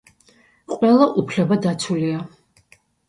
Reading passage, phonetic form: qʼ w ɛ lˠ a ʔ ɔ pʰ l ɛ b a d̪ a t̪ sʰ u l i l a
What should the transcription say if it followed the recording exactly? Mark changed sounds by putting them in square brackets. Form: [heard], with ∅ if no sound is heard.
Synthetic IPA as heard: qʼ w ɛ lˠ a ʔ [u] pʰ l ɛ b a d̪ a t̪ sʰ u l i [∅] a